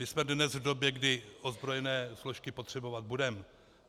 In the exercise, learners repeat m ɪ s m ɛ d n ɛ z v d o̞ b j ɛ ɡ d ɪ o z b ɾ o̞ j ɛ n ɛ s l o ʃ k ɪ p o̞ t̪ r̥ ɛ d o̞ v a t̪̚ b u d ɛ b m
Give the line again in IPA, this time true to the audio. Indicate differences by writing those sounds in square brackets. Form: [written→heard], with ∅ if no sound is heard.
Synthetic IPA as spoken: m ɪ s m ɛ d n ɛ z v d o̞ b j ɛ ɡ d ɪ o z b ɾ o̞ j ɛ n [ɛ→ɛː] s l o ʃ k ɪ p o̞ t̪ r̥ ɛ [d→b] o̞ v a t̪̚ b u d ɛ [b→∅] m